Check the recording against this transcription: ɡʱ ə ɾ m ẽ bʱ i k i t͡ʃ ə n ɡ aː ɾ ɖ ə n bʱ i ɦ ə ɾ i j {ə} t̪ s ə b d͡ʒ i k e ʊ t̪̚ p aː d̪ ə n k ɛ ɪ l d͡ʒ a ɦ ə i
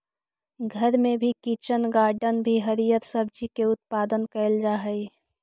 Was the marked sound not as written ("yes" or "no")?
no